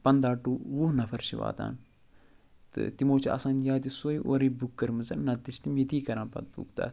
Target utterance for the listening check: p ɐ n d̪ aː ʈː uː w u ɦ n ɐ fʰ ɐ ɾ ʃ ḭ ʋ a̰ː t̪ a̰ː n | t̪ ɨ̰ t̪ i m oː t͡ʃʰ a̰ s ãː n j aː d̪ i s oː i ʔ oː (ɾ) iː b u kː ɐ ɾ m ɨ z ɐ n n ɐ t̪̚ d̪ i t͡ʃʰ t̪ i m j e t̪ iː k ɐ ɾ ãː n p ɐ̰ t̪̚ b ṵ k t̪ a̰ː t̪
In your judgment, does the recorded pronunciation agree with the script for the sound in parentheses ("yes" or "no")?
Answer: yes